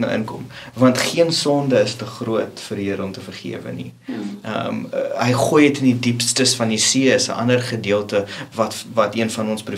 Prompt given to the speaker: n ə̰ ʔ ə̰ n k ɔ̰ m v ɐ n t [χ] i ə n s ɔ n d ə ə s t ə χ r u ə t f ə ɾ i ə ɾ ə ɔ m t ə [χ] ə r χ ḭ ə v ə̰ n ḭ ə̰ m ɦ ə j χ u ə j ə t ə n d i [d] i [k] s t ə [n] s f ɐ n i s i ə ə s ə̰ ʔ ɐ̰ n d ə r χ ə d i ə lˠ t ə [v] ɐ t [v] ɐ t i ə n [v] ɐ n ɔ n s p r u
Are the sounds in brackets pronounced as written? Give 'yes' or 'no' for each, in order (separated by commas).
yes, no, yes, no, no, yes, yes, no